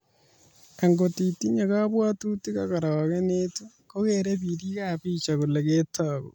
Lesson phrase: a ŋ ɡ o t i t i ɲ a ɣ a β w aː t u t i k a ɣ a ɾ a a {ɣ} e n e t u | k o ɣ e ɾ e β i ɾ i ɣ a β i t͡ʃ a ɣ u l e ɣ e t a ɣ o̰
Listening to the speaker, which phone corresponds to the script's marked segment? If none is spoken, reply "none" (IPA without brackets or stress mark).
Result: ɣ